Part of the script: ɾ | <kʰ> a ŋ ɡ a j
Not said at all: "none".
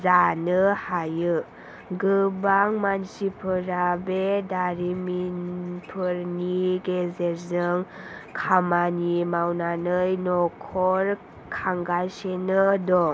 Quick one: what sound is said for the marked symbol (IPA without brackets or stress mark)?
kʰ